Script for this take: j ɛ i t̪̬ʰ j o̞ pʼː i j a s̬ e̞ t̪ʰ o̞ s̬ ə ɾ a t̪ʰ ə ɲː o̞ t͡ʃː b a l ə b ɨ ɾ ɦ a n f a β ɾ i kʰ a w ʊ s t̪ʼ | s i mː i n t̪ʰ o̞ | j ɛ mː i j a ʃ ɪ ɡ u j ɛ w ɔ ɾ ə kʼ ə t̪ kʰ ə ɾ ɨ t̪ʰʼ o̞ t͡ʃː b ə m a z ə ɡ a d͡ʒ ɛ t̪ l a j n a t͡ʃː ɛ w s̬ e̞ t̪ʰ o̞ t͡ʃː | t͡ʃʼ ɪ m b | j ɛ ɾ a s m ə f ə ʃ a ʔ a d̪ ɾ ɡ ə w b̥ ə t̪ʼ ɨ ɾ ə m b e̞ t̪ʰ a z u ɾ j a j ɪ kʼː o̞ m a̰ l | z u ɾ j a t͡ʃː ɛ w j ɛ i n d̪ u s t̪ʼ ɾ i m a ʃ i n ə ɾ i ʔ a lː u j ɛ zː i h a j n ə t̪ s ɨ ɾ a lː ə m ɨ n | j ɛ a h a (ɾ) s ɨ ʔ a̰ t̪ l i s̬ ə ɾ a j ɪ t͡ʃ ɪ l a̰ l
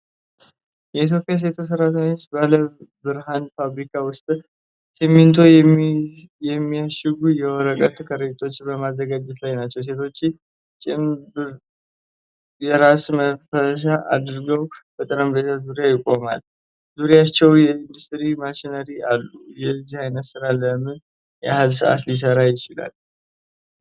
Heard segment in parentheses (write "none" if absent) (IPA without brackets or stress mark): l